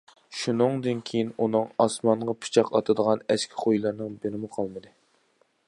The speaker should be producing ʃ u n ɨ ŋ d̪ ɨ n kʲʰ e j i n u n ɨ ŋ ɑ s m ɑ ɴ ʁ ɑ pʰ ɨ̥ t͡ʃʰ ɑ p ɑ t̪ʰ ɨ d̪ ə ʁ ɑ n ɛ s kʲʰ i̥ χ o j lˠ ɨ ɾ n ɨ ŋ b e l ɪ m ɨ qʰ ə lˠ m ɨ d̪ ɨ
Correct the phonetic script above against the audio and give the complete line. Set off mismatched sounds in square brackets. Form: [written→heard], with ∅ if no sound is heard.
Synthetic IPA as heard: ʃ u n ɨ ŋ d̪ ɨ n kʲʰ e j i n u n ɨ ŋ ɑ s m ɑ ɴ ʁ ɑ pʰ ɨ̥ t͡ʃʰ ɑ [p→q] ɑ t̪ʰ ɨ d̪ ə ʁ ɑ n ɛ s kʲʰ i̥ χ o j lˠ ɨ ɾ n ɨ ŋ b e [l→ɾ] ɪ m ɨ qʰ [ə→ɑ] lˠ m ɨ d̪ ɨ